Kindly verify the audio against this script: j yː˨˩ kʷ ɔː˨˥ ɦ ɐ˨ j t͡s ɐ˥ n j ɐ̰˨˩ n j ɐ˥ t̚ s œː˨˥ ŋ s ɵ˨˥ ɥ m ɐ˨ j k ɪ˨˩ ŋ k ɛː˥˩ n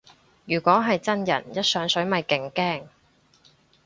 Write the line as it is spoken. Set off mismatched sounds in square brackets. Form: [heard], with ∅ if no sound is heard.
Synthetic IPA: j yː˨˩ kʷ ɔː˨˥ ɦ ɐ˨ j t͡s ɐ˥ n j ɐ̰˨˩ n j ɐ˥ t̚ s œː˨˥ ŋ s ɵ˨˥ ɥ m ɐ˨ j k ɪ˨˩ ŋ k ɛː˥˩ [ŋ]